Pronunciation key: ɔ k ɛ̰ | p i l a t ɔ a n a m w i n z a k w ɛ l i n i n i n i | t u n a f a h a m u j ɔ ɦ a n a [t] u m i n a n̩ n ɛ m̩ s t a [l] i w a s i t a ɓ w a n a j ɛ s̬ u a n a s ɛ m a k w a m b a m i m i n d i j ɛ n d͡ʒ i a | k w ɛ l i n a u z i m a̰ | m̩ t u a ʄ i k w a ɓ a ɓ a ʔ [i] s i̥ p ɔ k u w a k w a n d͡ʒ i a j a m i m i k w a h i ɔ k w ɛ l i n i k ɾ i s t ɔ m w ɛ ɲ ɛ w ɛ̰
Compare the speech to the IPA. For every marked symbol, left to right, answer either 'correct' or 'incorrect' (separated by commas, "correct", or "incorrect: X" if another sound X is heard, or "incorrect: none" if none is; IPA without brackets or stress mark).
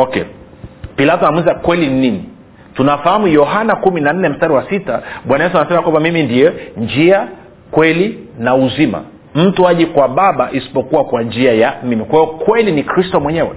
incorrect: k, incorrect: ɾ, correct